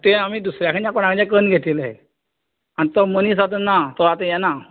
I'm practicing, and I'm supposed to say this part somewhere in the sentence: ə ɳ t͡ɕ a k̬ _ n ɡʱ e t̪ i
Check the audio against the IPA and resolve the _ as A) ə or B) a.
A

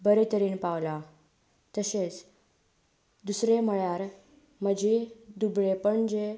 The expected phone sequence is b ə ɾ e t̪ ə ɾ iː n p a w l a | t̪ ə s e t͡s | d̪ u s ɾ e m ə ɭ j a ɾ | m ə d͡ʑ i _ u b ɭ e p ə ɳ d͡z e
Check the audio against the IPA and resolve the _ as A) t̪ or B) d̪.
B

